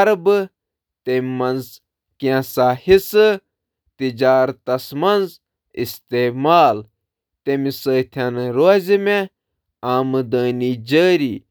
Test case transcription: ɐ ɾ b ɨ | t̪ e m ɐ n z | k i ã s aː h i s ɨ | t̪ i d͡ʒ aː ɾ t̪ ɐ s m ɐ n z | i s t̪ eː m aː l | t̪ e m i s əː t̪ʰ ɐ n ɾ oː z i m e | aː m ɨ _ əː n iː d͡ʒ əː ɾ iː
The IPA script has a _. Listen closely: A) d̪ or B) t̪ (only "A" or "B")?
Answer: A